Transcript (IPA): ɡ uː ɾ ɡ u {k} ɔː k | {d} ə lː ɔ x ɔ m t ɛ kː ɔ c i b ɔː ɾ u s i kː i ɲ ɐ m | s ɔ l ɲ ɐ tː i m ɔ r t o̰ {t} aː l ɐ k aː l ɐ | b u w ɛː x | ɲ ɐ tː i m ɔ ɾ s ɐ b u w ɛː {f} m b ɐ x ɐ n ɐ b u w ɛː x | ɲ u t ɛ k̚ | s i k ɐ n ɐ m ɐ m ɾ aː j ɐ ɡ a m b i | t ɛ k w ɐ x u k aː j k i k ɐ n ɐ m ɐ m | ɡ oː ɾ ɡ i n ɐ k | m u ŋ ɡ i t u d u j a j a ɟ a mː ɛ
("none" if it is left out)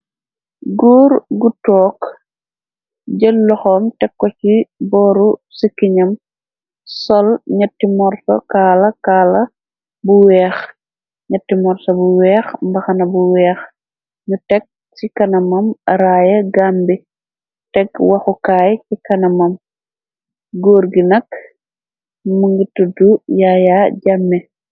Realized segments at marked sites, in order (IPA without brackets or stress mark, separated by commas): t, ɟ, k, x